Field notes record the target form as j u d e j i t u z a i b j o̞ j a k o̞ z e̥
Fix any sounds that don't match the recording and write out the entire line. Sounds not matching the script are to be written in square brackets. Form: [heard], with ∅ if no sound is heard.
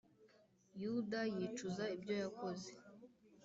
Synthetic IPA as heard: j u d [a] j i [t͡ʃ] u z a i b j o̞ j a k o̞ z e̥